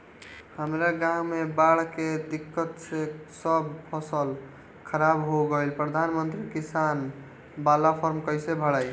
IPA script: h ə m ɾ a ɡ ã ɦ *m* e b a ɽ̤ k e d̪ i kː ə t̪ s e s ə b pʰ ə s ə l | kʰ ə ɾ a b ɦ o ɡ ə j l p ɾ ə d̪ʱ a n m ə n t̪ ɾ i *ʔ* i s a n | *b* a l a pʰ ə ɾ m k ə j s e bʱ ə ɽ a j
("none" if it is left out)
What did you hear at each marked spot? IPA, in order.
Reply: m, k, b

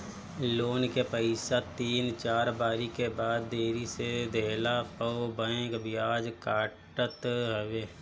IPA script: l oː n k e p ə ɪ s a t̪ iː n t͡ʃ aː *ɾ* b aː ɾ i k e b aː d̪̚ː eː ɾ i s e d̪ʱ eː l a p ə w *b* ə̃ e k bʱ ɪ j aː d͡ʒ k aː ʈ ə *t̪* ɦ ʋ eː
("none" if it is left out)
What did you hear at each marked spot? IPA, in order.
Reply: ɾ, b, t̪

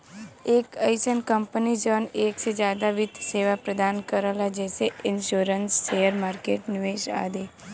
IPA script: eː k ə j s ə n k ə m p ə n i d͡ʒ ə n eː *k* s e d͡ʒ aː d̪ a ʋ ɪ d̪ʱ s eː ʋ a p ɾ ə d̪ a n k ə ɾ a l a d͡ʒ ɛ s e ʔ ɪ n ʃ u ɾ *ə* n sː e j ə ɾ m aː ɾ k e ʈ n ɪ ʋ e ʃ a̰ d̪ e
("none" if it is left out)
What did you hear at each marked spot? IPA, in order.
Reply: k, ə

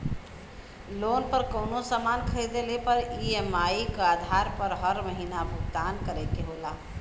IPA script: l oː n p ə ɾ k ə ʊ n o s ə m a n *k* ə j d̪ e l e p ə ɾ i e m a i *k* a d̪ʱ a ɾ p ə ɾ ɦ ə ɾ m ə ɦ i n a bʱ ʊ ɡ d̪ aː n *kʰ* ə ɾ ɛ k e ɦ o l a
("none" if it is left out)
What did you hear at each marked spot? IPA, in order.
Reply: kʰ, k, k

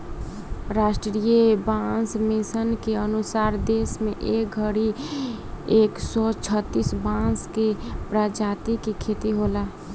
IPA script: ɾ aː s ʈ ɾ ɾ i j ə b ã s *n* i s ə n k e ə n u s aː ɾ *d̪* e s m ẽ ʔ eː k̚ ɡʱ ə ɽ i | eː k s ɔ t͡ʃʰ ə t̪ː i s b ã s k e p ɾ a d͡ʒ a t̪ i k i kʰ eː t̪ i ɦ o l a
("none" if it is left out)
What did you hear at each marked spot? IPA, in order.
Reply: m, d̪

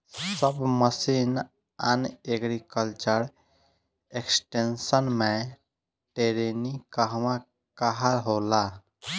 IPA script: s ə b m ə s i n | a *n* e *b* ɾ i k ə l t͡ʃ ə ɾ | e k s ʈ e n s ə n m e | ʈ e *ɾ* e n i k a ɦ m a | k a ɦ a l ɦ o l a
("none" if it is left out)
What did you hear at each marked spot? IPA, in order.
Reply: n, ɡ, ɾ

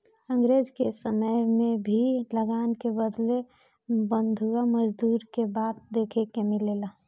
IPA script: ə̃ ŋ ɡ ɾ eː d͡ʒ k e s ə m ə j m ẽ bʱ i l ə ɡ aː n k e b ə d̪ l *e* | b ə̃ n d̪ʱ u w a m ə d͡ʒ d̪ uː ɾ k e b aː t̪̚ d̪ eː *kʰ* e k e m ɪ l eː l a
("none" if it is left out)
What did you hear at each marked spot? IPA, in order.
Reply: e, kʰ

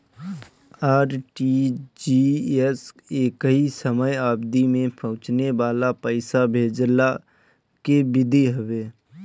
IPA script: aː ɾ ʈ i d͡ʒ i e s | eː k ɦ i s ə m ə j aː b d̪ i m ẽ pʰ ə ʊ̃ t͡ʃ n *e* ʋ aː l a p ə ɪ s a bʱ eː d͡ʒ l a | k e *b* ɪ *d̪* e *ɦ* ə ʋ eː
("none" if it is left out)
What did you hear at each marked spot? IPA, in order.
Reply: e, b, d̪, ɦ

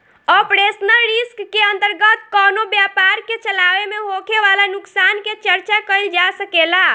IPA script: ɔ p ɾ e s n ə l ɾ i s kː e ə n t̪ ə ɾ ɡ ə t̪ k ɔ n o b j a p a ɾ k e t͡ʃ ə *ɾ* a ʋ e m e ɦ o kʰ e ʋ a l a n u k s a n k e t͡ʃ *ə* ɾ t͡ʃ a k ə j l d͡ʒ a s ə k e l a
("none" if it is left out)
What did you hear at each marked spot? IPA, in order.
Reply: l, ə

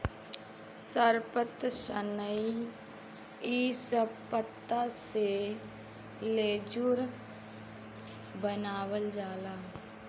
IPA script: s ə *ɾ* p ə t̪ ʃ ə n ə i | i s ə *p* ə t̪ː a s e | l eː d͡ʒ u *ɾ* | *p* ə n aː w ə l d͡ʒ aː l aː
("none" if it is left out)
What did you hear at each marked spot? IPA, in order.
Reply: ɾ, p, ɾ, b

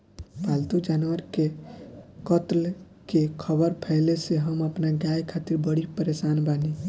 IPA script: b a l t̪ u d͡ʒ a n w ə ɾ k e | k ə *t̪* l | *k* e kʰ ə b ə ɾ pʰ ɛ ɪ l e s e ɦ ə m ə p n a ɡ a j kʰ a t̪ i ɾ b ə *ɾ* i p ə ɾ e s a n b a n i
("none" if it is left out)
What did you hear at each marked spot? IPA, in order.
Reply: t̪, k, ɽ

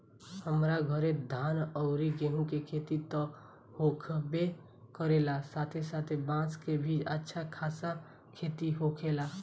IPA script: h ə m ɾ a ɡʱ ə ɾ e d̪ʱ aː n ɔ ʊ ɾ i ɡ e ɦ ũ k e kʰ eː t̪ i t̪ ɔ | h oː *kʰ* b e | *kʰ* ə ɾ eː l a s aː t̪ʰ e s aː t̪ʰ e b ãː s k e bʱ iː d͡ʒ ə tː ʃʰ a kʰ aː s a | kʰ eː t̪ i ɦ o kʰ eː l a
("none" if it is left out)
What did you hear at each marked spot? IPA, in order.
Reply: kʰ, k

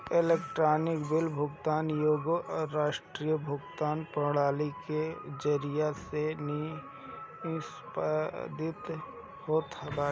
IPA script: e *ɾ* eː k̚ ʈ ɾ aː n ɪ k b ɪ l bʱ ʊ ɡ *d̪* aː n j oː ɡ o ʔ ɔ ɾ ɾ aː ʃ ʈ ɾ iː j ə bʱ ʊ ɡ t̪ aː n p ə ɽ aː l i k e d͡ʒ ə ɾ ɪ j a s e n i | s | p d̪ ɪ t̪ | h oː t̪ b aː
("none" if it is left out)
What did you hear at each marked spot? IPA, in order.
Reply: l, t̪

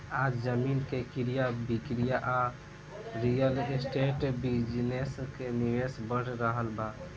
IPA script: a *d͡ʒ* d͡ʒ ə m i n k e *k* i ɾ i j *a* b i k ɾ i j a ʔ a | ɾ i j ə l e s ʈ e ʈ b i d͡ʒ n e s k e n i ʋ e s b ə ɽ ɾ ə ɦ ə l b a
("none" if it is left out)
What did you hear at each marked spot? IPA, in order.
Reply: d͡ʒ, k, a

